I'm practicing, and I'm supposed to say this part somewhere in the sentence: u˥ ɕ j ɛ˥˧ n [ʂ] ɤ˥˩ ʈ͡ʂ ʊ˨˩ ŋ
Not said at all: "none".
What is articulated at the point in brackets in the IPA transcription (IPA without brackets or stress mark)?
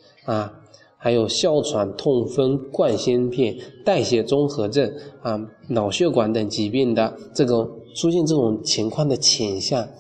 ʈ͡ʂ